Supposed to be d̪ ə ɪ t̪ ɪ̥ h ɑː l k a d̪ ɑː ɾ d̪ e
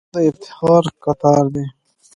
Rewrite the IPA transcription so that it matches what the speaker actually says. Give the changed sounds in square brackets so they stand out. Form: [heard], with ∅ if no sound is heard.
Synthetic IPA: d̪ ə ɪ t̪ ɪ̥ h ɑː [ɾ] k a [t̪] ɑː ɾ d̪ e